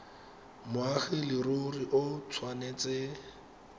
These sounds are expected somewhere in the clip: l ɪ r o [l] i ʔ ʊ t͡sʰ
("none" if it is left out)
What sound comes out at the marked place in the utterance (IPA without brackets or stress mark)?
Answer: r